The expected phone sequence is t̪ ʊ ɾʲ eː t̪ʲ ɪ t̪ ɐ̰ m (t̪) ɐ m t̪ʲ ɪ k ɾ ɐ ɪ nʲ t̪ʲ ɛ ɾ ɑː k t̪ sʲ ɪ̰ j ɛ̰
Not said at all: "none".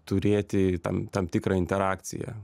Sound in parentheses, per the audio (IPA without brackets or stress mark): t̪